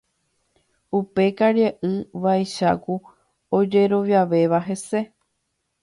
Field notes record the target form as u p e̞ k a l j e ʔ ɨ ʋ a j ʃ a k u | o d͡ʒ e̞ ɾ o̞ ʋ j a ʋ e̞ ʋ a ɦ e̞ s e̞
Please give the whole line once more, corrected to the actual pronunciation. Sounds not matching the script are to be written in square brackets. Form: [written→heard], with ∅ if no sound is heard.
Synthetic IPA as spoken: u p e̞ k a [l→ɾ] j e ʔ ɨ ʋ a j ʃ a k u | o d͡ʒ e̞ ɾ o̞ ʋ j a ʋ e̞ ʋ a ɦ e̞ s e̞